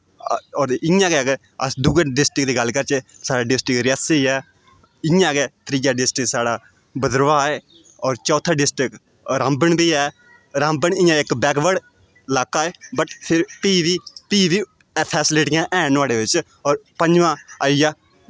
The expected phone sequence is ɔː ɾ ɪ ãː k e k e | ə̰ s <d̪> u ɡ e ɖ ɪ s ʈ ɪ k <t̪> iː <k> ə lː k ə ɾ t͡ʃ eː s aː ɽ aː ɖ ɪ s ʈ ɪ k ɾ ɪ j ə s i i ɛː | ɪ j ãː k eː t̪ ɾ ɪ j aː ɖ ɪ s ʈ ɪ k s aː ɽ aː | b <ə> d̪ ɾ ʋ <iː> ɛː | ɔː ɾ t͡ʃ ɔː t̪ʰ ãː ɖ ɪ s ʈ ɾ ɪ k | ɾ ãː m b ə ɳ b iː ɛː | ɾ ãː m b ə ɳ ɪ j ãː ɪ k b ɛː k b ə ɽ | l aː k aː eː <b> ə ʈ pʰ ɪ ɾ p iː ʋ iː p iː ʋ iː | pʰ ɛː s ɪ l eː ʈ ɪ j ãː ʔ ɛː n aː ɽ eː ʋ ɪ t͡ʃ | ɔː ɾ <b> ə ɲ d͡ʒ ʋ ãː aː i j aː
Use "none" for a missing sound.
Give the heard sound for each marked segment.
d̪, d̪, ɡ, ə, aː, b, p

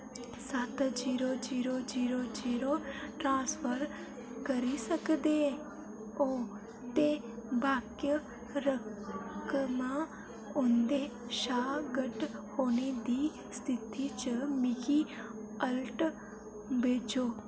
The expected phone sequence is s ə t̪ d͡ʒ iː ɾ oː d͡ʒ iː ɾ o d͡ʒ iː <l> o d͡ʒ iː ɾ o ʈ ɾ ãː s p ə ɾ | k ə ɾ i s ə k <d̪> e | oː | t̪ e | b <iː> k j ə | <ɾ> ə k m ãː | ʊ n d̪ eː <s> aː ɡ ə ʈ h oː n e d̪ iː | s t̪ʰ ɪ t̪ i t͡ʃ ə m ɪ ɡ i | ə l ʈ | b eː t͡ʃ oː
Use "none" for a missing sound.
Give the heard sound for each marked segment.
ɾ, d̪, aː, ɾ, ʃ

